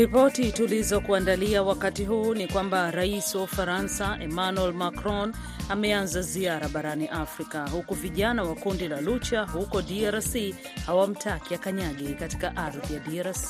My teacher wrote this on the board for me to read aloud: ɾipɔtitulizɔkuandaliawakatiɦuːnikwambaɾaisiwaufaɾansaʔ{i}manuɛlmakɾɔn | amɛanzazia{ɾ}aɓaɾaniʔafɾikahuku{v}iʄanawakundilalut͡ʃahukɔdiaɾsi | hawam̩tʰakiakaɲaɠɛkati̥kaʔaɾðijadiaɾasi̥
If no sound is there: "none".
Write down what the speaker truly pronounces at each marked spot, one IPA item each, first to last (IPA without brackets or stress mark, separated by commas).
ɛ, ɾ, v